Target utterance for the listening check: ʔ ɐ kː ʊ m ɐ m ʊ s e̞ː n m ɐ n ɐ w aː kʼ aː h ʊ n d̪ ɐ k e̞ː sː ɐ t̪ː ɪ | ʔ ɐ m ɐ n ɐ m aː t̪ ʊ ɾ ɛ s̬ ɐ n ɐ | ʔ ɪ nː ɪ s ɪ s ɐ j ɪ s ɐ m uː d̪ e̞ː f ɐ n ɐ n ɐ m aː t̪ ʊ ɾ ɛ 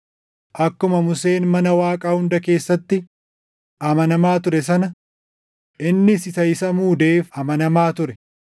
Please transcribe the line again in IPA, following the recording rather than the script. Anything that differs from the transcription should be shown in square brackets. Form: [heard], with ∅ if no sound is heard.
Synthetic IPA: ʔ ɐ kː ʊ m ɐ m ʊ s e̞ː n m ɐ n ɐ w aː kʼ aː h ʊ n d̪ ɐ k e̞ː sː ɐ t̪ː ɪ | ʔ ɐ m ɐ n ɐ m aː t̪ ʊ ɾ ɛ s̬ ɐ n ɐ | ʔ ɪ nː ɪ s ɪ s ɐ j ɪ s ɐ m uː d̪ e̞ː f ɐ [m] ɐ n ɐ m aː t̪ ʊ ɾ ɛ

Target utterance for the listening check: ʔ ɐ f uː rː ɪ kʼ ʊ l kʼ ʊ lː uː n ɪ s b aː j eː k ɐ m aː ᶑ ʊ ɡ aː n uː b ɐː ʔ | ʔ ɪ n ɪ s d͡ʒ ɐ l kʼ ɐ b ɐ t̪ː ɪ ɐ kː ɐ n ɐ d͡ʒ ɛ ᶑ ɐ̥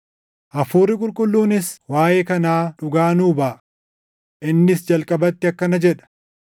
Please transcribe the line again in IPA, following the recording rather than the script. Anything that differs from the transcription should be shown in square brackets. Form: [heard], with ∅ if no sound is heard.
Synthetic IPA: ʔ ɐ f uː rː ɪ kʼ ʊ l kʼ ʊ lː uː n ɪ s [w] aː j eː k ɐ [n] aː ᶑ ʊ ɡ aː n uː b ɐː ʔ | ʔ ɪ [nː] ɪ s d͡ʒ ɐ l kʼ ɐ b ɐ t̪ː ɪ ɐ kː ɐ n ɐ d͡ʒ ɛ ᶑ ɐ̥

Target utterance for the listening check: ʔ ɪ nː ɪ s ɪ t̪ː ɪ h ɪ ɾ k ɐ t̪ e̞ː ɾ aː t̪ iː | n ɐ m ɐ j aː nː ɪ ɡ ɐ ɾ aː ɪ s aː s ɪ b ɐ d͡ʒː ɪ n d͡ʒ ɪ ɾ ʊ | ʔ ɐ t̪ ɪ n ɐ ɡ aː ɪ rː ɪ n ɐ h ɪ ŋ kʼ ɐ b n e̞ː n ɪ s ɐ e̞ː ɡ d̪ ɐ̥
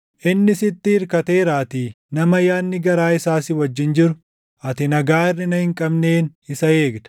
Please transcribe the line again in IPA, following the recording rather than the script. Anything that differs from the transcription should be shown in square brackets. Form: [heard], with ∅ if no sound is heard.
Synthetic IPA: ʔ ɪ nː ɪ s ɪ t̪ː ɪ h ɪ ɾ k ɐ t̪ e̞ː ɾ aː t̪ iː | n ɐ m ɐ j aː nː ɪ ɡ ɐ ɾ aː ɪ s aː s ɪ [w] ɐ d͡ʒː ɪ n d͡ʒ ɪ ɾ ʊ | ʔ ɐ t̪ ɪ n ɐ ɡ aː ɪ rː ɪ n ɐ h ɪ ŋ kʼ ɐ b n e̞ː n ɪ s ɐ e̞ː ɡ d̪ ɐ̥

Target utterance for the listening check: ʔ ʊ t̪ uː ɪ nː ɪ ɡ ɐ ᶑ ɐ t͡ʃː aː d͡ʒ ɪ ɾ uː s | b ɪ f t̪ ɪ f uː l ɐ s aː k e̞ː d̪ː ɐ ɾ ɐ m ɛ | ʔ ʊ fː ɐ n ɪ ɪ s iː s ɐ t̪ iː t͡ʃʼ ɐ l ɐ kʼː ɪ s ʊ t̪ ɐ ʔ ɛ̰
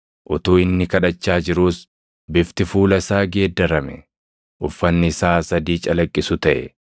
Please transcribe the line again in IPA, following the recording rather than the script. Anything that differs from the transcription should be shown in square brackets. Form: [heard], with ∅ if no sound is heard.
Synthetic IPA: ʔ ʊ t̪ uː ɪ nː ɪ [k] ɐ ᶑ ɐ t͡ʃː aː d͡ʒ ɪ ɾ uː s | b ɪ f t̪ ɪ f uː l ɐ s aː [ɡ] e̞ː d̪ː ɐ ɾ ɐ m ɛ | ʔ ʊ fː ɐ [nː] ɪ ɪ s [aː] s ɐ [d̪] iː t͡ʃʼ ɐ l ɐ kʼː ɪ s ʊ t̪ ɐ ʔ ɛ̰

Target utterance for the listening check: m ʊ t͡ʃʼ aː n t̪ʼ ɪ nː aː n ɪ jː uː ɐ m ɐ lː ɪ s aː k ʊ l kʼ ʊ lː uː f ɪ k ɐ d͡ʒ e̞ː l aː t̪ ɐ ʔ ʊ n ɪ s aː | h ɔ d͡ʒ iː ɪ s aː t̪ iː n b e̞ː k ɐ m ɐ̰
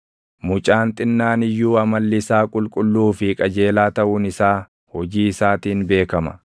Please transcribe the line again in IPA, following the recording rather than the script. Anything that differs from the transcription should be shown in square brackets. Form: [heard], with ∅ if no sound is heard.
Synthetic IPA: m ʊ t͡ʃʼ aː n t̪ʼ ɪ nː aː n ɪ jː uː ɐ m ɐ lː ɪ s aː [kʼ] ʊ l kʼ ʊ lː uː f ɪ [kʼ] ɐ d͡ʒ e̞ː l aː t̪ ɐ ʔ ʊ n ɪ s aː | h ɔ d͡ʒ iː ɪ s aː t̪ iː n b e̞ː k ɐ m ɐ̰

